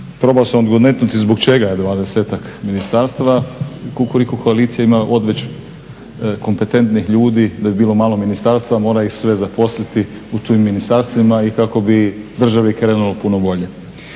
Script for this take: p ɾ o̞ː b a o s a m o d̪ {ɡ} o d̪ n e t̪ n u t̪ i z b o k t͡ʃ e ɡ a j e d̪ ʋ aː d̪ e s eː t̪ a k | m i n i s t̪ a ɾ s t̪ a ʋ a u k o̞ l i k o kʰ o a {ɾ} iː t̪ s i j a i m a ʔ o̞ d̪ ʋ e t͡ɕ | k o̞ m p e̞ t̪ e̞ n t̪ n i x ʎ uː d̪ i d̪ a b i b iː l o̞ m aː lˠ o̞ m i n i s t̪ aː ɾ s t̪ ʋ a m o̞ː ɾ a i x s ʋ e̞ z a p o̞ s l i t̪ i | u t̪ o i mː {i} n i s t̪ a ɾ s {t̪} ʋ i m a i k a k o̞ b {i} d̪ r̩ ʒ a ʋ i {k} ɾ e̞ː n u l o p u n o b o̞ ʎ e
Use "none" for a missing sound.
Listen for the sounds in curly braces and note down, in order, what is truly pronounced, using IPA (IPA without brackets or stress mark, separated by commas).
ɡ, l, i, t̪, i, k